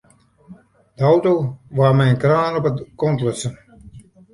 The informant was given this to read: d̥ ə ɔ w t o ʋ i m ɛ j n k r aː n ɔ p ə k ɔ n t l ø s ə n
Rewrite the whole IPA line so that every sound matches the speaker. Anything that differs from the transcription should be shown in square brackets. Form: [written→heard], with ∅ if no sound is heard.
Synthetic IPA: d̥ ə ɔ w t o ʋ [i→a] m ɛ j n k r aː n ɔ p ə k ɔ n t l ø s ə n